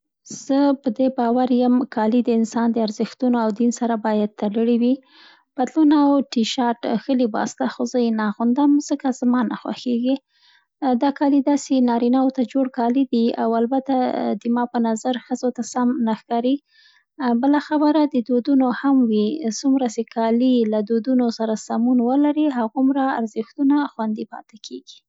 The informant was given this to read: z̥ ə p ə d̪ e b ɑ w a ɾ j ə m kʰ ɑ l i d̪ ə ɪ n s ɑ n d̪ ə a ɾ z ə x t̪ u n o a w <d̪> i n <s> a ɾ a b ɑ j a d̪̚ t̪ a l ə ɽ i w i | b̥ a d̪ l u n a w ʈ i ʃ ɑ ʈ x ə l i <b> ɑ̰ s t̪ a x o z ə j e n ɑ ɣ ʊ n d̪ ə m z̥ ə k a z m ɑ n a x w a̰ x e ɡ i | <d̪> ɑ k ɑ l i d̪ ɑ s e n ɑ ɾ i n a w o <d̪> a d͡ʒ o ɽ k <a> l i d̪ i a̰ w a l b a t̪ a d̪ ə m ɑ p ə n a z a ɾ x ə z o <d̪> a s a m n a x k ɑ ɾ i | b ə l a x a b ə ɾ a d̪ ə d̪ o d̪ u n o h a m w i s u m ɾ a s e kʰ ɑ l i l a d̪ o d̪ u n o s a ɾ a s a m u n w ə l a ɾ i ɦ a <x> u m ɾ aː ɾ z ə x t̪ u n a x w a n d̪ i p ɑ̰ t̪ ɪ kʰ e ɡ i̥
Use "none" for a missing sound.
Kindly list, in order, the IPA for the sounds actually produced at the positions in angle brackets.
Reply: d̪, s, b, d̪, t̪, ɑ, t̪, ɣ

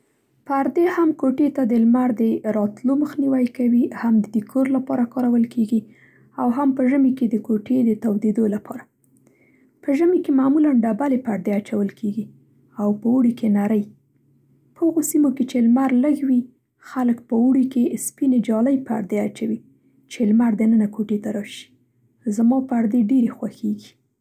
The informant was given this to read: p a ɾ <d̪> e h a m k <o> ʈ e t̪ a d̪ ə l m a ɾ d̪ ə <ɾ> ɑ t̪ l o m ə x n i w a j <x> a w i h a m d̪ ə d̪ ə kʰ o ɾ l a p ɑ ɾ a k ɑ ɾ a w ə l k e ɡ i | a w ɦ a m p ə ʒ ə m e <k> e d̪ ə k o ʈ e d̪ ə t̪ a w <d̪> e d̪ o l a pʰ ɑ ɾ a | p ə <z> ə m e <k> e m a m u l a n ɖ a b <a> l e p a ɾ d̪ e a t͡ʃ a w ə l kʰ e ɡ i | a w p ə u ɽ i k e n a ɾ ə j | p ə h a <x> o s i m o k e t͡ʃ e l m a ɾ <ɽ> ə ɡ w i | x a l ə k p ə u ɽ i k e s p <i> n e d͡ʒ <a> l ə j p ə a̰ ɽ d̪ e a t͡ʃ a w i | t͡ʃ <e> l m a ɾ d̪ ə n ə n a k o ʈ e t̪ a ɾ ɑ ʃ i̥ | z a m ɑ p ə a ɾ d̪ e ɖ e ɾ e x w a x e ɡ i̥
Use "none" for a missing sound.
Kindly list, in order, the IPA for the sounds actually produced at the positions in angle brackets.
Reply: d̪, o, ɾ, k, k, d̪, ʒ, k, a, ɣ, l, i, ɑ, e

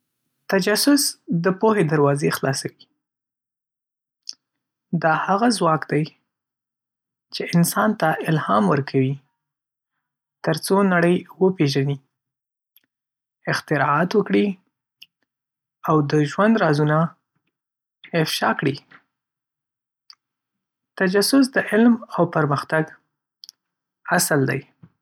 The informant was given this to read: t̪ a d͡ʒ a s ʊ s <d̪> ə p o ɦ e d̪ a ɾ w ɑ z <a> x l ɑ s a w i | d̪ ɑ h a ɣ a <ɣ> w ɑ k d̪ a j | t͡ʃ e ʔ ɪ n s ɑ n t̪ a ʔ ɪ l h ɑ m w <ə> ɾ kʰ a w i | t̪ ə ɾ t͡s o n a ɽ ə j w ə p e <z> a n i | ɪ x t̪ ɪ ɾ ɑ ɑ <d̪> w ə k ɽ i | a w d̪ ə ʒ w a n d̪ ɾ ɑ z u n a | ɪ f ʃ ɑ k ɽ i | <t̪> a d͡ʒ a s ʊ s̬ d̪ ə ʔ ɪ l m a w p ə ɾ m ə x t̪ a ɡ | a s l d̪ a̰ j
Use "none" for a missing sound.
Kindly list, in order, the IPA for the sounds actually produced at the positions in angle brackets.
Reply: d̪, e, z, ə, ʒ, t̪, t̪

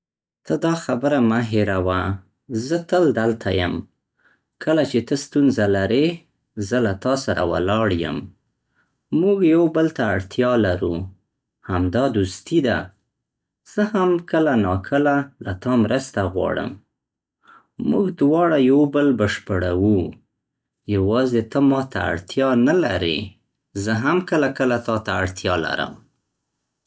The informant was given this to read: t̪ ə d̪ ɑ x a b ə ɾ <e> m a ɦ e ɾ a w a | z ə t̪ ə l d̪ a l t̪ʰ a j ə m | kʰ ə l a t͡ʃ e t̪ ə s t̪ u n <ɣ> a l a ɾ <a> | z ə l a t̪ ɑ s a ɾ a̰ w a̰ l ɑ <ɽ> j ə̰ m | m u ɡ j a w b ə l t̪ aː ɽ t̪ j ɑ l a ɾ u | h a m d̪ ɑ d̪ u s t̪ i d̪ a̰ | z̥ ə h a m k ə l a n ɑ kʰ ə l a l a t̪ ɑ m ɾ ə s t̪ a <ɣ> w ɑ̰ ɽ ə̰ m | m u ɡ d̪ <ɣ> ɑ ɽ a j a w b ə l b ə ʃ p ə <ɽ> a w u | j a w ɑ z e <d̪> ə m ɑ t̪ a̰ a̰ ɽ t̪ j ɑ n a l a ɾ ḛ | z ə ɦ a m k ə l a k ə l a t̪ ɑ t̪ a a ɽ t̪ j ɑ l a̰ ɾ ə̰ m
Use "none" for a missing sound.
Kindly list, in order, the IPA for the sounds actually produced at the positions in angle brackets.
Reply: a, z, e, ɽ, ɣ, w, ɽ, t̪

